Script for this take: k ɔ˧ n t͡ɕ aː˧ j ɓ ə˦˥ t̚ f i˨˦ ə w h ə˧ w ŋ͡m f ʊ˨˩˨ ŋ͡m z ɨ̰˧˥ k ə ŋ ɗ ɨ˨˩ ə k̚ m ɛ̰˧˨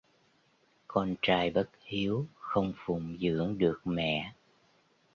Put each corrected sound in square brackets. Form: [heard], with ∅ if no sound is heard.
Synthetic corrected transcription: k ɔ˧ n t͡ɕ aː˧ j ɓ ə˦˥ t̚ [h] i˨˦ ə w [x] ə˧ w ŋ͡m f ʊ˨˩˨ ŋ͡m z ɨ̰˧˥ [∅] ə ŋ ɗ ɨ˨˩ ə k̚ m ɛ̰˧˨